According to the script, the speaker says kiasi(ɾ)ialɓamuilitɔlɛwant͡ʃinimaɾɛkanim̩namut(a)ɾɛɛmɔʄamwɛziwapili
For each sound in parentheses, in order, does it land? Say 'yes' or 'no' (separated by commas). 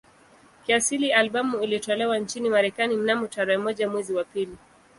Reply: no, yes